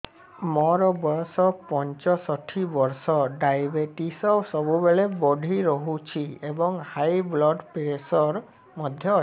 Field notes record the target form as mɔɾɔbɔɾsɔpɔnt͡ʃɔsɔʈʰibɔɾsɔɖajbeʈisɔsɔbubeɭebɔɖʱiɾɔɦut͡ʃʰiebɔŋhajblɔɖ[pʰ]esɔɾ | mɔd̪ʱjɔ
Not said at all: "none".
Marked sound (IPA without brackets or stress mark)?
p